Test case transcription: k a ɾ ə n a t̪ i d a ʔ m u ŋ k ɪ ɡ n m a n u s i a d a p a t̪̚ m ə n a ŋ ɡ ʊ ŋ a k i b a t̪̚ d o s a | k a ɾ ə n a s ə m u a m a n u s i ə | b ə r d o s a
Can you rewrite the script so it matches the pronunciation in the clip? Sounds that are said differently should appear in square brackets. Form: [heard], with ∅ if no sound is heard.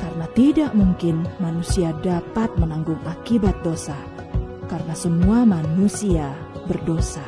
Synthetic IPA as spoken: k a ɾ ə n a t̪ i d a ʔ m u ŋ k ɪ [∅] n m a n u s i a d a p a t̪̚ m ə n a ŋ ɡ ʊ ŋ a k i b a t̪̚ d o s a | k a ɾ ə n a s ə m u a m a n u s i [a] | b ə r d o s a